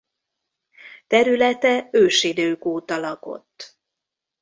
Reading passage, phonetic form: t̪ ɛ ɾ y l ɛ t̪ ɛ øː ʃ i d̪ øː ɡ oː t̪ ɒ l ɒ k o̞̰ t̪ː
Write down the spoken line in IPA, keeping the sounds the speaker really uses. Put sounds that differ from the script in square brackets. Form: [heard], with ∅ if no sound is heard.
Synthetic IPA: t̪ ɛ ɾ y l ɛ t̪ ɛ øː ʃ i d̪ øː [k] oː t̪ ɒ l ɒ k o̞̰ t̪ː